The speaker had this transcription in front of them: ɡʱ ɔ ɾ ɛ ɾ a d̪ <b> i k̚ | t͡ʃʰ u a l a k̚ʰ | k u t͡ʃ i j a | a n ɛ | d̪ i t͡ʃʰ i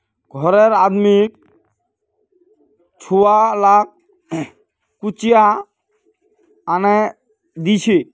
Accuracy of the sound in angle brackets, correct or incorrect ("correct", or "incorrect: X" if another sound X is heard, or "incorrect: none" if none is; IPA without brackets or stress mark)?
incorrect: m